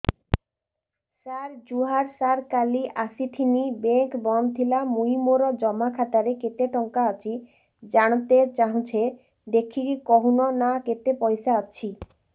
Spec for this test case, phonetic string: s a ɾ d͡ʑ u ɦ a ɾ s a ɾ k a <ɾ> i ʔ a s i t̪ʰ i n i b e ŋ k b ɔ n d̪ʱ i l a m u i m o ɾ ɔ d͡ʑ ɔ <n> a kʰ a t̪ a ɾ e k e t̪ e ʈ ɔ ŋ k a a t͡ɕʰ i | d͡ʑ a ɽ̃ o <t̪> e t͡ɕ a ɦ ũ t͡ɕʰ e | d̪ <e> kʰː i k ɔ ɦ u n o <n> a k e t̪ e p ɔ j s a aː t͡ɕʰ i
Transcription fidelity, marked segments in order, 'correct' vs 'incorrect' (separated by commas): incorrect, incorrect, correct, correct, correct